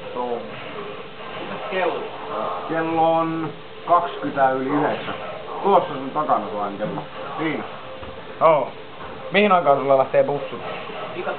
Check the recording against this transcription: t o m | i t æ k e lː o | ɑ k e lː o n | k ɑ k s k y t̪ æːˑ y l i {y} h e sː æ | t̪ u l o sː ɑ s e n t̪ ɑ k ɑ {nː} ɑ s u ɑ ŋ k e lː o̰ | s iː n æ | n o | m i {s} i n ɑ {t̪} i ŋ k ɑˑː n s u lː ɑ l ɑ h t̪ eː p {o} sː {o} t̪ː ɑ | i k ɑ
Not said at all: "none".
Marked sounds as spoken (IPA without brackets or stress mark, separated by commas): y, n, h, none, u, u